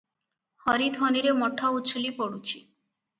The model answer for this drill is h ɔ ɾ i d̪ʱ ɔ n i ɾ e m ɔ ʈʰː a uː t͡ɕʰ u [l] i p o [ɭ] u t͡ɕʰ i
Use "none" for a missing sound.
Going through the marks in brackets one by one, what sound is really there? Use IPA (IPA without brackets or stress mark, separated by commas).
l, ɽ